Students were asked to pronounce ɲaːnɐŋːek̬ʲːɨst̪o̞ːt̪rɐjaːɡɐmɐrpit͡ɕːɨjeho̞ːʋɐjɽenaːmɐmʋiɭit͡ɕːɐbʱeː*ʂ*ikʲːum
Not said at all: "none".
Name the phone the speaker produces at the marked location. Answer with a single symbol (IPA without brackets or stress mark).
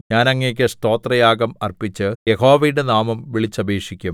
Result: ʂ